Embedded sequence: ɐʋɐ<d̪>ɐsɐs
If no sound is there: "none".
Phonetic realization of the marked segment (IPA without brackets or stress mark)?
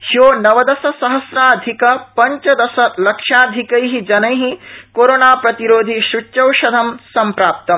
d̪